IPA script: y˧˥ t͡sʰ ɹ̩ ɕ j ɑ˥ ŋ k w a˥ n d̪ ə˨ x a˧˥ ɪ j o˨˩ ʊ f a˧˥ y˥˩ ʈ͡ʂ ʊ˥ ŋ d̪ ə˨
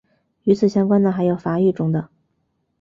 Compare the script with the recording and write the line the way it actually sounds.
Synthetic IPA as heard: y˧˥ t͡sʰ ɹ̩ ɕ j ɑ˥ ŋ k w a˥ n d̪ ə˨ x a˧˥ ɪ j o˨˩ ʊ f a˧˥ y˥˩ ʈ͡ʂ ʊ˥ ŋ d̪ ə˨

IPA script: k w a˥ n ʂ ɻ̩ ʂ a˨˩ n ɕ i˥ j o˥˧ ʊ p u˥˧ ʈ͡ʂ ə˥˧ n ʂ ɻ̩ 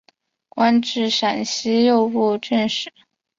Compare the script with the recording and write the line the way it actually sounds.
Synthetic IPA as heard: k w a˥ n ʈ͡ʂ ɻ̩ ʂ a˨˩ n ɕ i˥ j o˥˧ ʊ p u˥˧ ʈ͡ʂ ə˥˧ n ʂ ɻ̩

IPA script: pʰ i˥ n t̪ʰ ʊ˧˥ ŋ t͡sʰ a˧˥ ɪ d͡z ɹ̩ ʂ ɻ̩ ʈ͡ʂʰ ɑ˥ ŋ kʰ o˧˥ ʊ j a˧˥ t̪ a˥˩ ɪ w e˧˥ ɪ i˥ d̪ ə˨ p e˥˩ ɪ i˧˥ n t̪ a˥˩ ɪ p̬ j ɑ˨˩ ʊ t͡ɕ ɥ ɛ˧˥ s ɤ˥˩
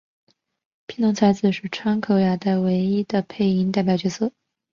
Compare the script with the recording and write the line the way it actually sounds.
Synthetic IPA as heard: pʰ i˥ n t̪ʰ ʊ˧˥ ŋ t͡sʰ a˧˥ ɪ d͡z ɹ̩ ʂ ɻ̩ ʈ͡ʂʰ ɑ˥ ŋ kʰ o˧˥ ʊ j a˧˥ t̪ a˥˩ ɪ w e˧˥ ɪ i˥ d̪ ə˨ pʰ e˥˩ ɪ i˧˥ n t̪ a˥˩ ɪ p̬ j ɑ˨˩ ʊ t͡ɕ ɥ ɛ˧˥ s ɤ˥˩

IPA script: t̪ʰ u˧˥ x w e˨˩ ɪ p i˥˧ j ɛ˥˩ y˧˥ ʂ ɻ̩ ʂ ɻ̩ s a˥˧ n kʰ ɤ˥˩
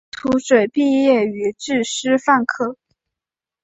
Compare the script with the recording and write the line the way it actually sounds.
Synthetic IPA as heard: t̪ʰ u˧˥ ʂ w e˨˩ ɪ p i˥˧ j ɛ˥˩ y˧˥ ʈ͡ʂ ɻ̩ ʂ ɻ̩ f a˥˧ n kʰ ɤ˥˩

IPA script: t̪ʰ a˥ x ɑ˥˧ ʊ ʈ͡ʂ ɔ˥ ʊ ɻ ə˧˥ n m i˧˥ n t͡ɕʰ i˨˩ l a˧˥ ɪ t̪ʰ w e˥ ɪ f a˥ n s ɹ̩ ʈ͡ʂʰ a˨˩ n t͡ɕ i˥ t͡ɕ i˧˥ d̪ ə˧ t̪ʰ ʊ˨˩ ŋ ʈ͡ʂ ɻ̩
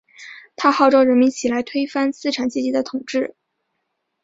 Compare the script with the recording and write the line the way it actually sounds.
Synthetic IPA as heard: t̪ʰ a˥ x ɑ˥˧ ʊ ʈ͡ʂ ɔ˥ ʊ ɻ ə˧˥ n m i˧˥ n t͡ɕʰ i˨˩ l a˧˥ ɪ t̪ʰ w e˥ ɪ f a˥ n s ɹ̩ ʈ͡ʂʰ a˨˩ n t͡ɕ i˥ t͡ɕ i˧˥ d̪ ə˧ t̪ʰ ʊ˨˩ ŋ ʈ͡ʂ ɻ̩

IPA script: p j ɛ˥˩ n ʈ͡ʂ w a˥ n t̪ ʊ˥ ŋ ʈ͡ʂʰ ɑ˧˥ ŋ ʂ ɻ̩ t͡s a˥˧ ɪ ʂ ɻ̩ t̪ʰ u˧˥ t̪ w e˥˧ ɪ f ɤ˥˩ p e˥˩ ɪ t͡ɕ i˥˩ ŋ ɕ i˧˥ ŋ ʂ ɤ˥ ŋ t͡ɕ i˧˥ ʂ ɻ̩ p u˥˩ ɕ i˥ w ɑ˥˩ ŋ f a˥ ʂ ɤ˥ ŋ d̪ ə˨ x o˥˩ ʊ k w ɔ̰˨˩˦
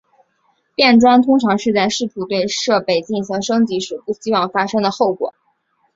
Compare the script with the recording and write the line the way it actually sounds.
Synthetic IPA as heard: p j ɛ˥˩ n ʈ͡ʂ w a˥ n t̪ʰ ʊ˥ ŋ ʈ͡ʂʰ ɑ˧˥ ŋ ʂ ɻ̩ t͡s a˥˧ ɪ ʂ ɻ̩ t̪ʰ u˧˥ t̪ w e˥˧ ɪ ʂ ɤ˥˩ p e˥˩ ɪ t͡ɕ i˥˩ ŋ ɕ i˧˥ ŋ ʂ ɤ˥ ŋ t͡ɕ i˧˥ ʂ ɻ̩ p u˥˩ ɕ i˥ w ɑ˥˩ ŋ f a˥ ʂ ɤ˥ ŋ d̪ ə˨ x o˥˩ ʊ k w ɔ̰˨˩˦

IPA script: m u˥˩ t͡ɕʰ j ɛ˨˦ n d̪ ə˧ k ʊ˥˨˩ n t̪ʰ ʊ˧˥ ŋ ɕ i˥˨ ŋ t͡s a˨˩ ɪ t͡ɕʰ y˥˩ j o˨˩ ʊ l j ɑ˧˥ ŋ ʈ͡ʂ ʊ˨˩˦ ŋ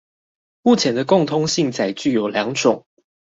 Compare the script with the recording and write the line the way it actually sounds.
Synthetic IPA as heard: m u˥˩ t͡ɕʰ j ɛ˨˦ n d̪ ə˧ k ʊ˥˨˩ ŋ t̪ʰ ʊ˥ ŋ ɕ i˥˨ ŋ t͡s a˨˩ ɪ t͡ɕ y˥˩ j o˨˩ ʊ l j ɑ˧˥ ŋ ʈ͡ʂ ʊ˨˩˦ ŋ

